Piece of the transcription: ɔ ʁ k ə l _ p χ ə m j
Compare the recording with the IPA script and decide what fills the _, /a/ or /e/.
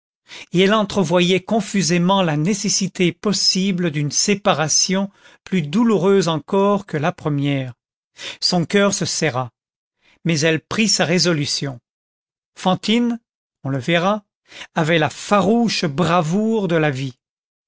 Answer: a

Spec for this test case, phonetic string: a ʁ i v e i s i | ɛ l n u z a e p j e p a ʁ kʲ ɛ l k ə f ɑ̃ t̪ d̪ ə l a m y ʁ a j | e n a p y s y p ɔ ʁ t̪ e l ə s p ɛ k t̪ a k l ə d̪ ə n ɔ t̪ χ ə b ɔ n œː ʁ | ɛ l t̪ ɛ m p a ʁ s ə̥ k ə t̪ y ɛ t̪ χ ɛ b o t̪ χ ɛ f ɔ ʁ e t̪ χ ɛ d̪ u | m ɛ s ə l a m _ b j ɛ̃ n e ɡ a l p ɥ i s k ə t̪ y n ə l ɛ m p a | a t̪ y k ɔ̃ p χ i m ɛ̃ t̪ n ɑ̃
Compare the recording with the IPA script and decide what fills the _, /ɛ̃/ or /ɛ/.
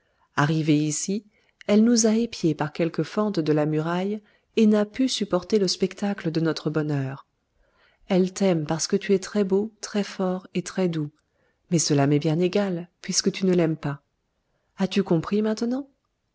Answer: ɛ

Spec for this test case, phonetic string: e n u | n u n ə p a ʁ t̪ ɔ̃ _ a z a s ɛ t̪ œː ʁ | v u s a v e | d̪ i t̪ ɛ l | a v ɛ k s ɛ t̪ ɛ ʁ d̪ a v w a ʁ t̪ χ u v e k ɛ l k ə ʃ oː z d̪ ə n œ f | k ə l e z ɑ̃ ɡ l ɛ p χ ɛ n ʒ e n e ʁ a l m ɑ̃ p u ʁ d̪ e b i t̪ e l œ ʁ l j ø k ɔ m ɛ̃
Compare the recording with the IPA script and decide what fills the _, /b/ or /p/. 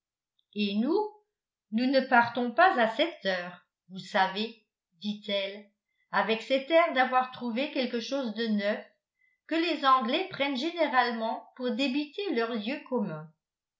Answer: p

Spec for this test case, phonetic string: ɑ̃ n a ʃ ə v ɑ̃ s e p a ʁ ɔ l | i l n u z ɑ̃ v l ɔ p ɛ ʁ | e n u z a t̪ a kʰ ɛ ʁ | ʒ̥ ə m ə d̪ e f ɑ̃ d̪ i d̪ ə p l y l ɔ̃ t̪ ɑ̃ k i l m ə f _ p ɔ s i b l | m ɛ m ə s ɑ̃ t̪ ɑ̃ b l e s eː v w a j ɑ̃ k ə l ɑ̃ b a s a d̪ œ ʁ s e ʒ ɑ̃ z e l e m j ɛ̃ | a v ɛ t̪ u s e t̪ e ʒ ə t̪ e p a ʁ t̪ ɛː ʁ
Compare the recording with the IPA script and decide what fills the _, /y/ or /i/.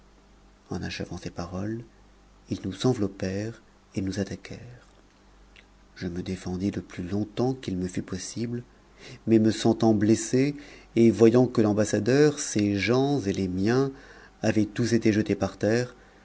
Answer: y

